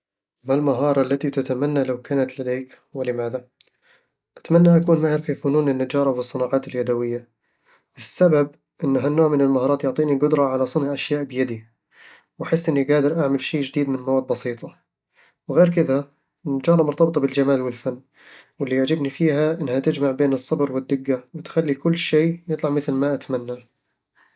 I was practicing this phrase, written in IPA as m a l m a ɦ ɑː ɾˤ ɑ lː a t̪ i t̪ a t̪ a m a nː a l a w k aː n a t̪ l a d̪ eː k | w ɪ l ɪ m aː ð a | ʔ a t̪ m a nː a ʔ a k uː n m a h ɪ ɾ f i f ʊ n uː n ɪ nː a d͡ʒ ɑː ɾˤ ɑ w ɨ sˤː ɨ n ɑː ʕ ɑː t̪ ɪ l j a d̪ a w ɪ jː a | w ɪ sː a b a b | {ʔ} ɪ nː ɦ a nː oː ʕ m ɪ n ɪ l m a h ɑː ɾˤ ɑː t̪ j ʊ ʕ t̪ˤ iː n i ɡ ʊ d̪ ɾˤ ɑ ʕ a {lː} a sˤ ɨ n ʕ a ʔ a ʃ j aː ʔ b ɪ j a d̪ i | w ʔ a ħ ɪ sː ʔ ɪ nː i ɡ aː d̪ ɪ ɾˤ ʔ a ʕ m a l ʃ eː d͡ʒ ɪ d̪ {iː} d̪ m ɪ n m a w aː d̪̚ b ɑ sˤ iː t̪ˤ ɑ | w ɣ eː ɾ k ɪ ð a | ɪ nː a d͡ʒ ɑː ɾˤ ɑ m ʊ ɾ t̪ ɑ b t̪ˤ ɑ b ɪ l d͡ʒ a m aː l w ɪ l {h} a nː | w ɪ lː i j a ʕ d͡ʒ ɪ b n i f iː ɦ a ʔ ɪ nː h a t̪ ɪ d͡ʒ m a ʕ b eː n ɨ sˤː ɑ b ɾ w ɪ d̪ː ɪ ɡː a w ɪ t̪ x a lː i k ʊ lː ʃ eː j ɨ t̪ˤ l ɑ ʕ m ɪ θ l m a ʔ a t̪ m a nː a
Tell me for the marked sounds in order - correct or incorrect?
correct, incorrect, correct, incorrect

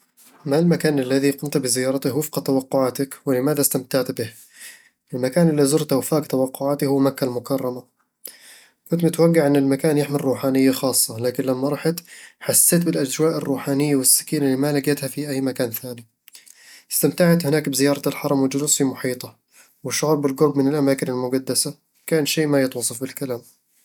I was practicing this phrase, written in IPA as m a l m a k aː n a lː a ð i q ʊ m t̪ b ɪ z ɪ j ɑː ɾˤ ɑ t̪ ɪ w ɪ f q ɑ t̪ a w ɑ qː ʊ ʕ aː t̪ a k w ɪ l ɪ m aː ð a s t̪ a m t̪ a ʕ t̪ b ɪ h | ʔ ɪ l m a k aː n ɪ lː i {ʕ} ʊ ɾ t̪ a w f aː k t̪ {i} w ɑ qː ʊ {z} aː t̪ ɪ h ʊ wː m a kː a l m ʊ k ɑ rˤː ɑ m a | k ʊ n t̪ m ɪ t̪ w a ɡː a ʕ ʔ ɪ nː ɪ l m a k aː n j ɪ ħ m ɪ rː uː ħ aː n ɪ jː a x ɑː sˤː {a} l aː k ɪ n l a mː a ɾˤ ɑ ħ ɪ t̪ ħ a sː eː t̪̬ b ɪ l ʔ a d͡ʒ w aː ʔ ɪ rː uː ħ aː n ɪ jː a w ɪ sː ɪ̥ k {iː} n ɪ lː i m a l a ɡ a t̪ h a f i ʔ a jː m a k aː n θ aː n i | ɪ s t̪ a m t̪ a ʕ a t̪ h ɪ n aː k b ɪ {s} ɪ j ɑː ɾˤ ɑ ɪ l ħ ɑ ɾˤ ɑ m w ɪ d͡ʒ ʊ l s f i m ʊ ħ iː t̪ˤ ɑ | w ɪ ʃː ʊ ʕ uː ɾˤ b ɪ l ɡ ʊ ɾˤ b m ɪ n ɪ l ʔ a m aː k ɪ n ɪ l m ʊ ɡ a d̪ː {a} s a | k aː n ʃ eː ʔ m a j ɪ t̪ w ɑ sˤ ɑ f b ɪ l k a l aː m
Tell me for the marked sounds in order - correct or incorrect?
incorrect, incorrect, incorrect, incorrect, correct, incorrect, correct

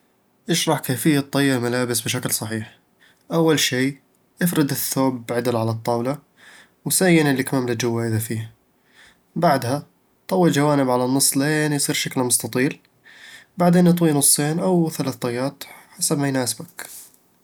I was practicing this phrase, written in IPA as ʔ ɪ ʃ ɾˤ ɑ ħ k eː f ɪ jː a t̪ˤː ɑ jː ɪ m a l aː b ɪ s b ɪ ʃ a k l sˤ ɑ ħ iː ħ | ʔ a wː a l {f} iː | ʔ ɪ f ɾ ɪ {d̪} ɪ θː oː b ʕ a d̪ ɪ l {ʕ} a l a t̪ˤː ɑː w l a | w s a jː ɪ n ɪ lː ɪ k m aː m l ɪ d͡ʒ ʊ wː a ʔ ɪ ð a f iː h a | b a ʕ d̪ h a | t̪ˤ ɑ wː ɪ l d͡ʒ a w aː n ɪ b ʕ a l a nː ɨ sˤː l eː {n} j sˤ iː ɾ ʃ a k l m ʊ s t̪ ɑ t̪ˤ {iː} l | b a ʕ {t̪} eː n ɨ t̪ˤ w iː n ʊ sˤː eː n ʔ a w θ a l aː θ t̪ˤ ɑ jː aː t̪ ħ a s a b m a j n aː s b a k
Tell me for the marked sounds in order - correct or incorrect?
incorrect, correct, correct, correct, correct, incorrect

